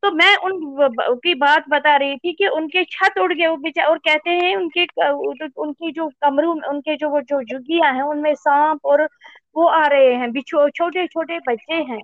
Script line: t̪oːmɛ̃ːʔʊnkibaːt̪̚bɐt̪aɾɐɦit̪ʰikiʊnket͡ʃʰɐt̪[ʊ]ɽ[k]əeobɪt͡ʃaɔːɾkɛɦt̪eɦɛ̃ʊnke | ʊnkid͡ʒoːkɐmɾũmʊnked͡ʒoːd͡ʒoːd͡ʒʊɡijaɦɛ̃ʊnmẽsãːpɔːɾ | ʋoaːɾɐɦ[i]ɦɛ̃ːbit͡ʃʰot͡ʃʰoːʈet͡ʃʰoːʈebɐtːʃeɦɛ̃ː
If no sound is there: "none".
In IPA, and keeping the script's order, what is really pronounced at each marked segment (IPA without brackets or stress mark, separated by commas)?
ʊ, ɡ, e